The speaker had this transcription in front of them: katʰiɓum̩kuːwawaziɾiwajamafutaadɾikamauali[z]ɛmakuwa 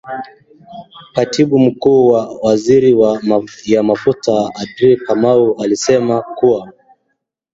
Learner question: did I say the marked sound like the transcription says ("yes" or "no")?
no